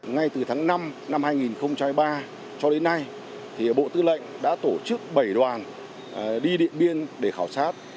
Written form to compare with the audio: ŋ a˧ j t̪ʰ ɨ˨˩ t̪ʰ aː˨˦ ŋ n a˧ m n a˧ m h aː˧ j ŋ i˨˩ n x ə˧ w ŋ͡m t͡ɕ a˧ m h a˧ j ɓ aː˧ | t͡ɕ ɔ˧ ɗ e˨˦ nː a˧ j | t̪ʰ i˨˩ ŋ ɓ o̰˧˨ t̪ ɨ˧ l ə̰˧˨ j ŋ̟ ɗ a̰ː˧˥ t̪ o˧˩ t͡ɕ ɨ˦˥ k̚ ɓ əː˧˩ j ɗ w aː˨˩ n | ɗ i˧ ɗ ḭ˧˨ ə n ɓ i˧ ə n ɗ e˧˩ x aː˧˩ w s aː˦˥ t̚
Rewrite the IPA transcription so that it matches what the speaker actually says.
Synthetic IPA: ŋ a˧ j t̪ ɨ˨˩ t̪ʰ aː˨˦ ŋ n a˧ m n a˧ m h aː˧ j ŋ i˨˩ n x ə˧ w ŋ͡m t͡ɕ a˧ m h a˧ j ɓ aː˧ | t͡ɕ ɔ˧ ɗ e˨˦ nː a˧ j | t̪ʰ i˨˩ ɓ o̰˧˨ t̪ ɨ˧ l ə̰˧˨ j ŋ̟ ɗ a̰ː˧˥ t̪ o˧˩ t͡ɕ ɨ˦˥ k̚ ɓ ə˧˩ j ɗ w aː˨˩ n | ɗ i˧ ɗ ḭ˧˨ ə n ɓ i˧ ə n ɗ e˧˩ x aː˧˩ w s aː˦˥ t̚